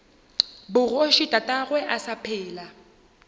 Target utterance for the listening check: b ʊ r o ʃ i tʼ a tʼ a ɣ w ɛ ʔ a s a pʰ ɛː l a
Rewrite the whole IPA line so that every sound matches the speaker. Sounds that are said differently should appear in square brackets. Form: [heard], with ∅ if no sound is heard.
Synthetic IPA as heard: b ʊ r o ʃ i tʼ a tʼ a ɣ w ɛ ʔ a s a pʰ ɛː l a